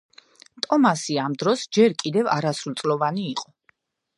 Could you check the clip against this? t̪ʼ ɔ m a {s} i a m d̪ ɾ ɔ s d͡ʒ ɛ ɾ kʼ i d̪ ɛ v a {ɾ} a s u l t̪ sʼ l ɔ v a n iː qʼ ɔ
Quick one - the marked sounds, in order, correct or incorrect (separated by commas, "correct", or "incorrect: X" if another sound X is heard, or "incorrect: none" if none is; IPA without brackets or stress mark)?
correct, correct